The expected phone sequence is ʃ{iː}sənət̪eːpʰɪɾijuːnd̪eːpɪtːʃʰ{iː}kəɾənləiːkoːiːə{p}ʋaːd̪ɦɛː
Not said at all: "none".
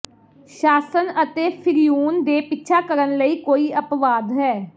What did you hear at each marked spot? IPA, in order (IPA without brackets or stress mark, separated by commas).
aː, aː, p